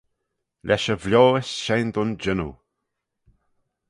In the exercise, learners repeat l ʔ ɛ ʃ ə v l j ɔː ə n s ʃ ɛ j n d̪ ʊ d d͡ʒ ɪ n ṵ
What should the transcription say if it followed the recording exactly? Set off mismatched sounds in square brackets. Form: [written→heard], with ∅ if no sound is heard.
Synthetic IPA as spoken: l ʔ ɛ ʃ ə v l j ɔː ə [n→∅] s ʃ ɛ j n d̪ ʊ [d→n] d͡ʒ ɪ n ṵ